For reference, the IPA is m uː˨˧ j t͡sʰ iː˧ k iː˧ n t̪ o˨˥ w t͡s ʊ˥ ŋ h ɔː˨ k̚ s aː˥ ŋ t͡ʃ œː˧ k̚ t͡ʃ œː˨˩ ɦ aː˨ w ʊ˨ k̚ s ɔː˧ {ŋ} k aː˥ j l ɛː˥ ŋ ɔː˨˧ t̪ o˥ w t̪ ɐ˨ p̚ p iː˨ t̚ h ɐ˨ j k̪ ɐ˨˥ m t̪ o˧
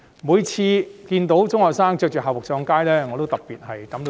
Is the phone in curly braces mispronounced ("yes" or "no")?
no